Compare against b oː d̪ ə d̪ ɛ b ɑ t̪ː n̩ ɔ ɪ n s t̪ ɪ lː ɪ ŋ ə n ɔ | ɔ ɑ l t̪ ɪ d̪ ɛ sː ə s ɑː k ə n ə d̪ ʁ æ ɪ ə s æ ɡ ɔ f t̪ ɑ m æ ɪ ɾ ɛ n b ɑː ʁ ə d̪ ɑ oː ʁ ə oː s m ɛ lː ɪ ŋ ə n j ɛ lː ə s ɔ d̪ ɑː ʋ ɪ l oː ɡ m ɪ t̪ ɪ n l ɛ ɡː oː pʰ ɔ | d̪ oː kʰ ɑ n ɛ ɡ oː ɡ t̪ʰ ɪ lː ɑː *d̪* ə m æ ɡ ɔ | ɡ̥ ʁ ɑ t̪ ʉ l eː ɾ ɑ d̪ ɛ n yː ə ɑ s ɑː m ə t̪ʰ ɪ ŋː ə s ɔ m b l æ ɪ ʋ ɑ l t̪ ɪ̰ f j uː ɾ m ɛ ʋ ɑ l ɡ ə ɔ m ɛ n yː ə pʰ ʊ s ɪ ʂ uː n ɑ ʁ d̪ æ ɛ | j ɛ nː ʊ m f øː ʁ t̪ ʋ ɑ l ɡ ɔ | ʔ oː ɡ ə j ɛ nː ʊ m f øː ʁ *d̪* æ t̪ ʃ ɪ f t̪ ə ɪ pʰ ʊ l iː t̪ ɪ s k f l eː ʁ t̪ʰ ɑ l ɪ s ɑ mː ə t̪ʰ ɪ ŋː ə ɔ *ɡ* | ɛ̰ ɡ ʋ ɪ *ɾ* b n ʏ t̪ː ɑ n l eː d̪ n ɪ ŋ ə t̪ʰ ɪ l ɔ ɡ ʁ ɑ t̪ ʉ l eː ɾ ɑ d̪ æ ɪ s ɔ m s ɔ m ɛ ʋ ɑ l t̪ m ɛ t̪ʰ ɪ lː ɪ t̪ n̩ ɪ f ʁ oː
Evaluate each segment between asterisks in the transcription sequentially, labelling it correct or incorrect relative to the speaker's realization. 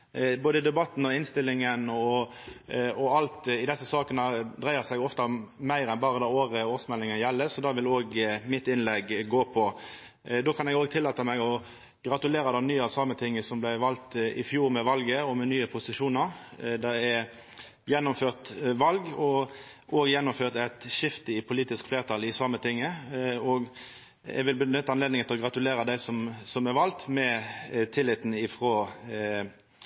incorrect: t̪, incorrect: t̪, correct, incorrect: l

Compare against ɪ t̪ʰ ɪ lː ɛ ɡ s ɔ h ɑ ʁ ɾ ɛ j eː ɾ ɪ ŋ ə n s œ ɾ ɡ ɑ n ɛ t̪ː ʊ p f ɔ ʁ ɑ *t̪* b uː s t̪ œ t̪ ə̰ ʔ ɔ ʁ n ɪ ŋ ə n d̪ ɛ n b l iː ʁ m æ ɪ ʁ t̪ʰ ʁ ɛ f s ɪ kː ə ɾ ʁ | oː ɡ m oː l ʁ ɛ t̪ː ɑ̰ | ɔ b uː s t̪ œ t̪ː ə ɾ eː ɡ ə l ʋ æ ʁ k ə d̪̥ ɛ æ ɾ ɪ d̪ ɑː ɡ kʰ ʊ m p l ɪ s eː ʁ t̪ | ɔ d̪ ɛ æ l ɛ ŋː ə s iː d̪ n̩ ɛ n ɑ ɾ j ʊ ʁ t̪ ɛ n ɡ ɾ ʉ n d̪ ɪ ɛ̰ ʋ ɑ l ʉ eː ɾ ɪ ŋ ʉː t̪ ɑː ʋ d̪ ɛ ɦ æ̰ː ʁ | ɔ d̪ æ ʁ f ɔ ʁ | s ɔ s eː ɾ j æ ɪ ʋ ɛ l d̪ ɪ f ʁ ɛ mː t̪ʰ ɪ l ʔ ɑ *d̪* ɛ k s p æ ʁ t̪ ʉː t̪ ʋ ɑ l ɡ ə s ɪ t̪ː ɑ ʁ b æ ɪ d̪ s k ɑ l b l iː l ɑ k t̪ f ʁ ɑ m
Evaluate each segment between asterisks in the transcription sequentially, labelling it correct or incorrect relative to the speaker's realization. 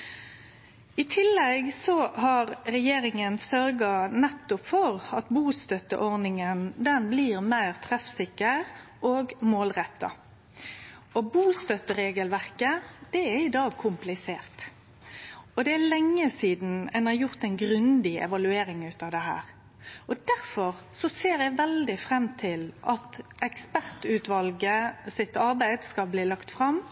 correct, incorrect: t̪

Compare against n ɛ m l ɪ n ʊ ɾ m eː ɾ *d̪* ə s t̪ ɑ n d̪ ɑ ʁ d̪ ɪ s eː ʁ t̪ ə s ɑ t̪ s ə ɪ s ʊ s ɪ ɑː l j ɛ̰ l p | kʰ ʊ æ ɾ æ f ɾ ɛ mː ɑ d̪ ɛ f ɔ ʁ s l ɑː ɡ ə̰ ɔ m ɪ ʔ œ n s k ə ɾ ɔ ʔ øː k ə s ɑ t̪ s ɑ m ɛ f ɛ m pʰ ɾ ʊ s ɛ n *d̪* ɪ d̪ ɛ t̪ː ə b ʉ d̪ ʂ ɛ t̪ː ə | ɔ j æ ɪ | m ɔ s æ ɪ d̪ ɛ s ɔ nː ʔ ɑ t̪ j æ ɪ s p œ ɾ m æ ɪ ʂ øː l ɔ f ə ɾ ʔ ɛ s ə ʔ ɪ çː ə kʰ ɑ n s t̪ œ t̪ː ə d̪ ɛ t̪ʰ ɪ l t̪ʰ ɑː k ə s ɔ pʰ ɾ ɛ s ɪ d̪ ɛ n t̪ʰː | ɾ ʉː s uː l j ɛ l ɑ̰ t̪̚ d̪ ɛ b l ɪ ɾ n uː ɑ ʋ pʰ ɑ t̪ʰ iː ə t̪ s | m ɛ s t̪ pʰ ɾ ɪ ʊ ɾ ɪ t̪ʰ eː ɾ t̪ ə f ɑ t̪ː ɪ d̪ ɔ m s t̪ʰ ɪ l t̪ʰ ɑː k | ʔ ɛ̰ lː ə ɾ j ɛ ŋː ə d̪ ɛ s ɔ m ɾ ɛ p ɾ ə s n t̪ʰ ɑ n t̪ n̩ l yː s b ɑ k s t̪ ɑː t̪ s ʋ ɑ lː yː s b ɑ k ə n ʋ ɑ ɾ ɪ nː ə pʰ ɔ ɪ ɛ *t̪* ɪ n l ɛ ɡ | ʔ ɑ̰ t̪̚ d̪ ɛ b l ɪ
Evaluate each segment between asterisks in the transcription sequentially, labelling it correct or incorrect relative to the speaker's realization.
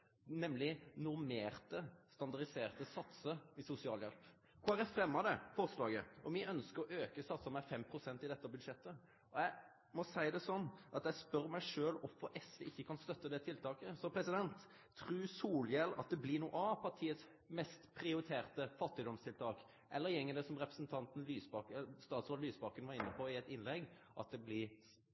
incorrect: t̪, incorrect: t̪, correct

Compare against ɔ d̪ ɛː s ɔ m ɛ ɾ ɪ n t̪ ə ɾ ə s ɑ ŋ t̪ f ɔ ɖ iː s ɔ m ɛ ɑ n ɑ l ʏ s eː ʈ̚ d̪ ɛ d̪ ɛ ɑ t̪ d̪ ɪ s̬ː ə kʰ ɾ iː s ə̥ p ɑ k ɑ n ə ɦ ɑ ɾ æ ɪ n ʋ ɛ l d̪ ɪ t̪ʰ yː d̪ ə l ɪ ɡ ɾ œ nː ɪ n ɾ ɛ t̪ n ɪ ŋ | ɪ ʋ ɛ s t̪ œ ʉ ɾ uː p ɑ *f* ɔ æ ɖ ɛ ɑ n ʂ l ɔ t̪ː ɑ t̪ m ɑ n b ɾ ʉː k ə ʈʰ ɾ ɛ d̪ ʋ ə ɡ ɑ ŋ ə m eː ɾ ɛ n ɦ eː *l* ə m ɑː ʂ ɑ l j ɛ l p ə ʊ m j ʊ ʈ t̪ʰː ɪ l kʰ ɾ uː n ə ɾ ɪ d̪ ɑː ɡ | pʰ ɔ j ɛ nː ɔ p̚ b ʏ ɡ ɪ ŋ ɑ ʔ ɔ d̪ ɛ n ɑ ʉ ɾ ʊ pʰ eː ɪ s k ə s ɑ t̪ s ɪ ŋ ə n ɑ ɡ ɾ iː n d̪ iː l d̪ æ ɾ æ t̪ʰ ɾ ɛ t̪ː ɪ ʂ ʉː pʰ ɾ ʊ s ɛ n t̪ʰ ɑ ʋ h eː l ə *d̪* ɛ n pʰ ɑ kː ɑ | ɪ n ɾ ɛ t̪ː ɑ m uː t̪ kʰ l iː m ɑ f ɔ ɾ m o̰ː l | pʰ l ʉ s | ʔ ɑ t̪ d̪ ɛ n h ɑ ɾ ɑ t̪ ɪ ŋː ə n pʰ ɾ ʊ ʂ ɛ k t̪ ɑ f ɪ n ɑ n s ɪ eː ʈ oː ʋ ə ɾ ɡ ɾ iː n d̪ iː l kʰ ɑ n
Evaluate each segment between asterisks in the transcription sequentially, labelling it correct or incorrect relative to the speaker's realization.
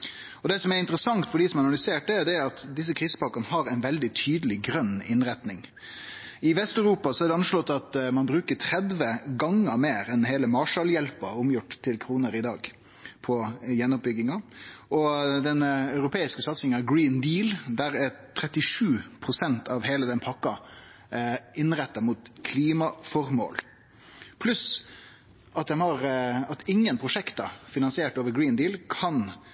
incorrect: s, correct, correct

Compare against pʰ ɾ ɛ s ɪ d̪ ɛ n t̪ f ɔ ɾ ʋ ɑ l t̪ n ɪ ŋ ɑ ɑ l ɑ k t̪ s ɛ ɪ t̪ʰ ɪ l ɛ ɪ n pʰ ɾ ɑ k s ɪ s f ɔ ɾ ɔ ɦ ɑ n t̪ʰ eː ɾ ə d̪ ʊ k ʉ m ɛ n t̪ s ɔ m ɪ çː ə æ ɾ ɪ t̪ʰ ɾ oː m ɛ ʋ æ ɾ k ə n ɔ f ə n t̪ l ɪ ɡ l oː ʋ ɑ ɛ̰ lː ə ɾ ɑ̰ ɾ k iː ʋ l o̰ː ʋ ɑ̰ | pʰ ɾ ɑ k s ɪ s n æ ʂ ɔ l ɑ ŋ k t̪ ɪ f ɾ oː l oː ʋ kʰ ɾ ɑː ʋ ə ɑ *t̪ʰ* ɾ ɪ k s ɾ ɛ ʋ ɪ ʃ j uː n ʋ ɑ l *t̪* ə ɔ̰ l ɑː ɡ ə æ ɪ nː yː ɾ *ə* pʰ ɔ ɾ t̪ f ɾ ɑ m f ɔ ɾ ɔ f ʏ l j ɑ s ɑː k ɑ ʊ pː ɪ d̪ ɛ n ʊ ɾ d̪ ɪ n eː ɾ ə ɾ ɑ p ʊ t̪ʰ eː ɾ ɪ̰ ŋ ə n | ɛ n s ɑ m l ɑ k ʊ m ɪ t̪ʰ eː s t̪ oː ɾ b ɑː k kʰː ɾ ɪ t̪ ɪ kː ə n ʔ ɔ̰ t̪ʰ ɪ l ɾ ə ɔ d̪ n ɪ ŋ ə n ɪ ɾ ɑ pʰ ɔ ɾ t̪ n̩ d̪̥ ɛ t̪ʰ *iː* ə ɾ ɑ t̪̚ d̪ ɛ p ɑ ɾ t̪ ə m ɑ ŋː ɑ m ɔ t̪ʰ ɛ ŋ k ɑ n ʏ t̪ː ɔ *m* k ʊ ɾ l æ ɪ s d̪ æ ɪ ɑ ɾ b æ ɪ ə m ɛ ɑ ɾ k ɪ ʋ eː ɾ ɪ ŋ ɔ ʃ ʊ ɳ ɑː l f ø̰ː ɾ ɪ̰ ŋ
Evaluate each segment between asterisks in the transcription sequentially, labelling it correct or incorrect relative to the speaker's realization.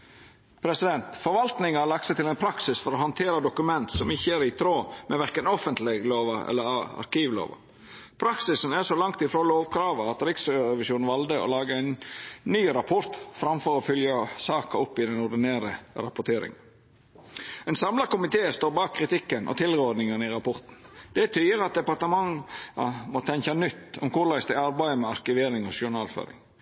incorrect: t̪, incorrect: d̪, incorrect: ɑ, incorrect: yː, correct

